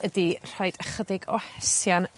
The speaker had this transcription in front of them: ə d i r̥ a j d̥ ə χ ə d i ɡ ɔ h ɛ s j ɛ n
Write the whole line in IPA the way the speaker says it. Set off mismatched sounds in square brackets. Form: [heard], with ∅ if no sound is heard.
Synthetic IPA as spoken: ə d i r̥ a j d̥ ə χ ə d [ɪ] ɡ ɔ h ɛ s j [a] n